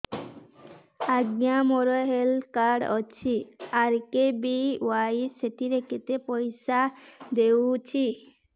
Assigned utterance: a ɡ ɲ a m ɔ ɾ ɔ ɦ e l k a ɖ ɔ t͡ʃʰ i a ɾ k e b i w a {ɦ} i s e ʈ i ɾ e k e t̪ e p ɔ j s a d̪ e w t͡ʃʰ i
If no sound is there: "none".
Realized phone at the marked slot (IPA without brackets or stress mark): none